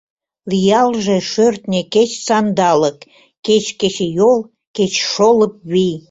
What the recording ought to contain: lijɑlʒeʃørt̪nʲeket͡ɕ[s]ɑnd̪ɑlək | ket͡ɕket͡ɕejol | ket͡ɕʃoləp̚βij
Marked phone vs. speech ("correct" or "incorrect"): correct